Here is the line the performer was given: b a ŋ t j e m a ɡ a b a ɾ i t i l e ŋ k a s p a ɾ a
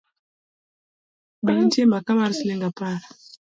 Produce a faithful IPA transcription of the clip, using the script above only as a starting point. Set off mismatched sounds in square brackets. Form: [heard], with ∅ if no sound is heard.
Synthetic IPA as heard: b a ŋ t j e m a [k] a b a ɾ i [s] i l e ŋ [ɡ] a [∅] p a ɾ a